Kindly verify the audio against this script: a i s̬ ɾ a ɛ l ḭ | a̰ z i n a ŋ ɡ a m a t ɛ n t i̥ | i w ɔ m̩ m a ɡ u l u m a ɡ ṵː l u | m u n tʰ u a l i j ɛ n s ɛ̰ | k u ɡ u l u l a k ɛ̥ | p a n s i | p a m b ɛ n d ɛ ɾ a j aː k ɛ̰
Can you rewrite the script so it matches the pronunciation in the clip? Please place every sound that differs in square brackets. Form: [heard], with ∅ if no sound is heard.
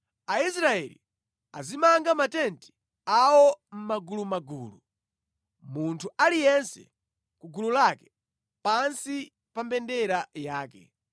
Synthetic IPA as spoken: a i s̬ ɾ a ɛ l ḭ | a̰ z i [m] a ŋ ɡ a m a t ɛ n t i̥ | [a] w ɔ m̩ m a ɡ u l u m a ɡ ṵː l u | m u n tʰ u a l i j ɛ n s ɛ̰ | k u ɡ u l u l a k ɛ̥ | p a n s i | p a m b ɛ n d ɛ ɾ a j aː k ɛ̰